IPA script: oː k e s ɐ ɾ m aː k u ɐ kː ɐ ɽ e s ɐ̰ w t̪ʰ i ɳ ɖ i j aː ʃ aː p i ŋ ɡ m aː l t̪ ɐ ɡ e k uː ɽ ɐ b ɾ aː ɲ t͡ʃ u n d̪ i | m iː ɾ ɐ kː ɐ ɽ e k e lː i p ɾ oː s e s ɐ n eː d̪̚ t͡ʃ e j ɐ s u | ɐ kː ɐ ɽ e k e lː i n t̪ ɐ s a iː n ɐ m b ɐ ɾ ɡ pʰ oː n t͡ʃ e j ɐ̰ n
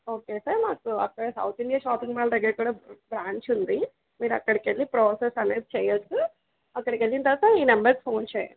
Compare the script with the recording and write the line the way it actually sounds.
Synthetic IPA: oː k e s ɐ ɾ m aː k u ɐ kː ɐ ɽ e s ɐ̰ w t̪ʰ i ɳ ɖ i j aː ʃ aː p i ŋ ɡ m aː l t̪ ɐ ɡ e k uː ɽ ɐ b ɾ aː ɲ t͡ʃ u n d̪ i | m iː ɾ ɐ kː ɐ ɽ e k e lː i p ɾ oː s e s ɐ n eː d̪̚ t͡ʃ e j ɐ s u | ɐ kː ɐ ɽ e k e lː i n t̪ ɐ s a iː n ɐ m b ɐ ɾ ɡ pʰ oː n t͡ʃ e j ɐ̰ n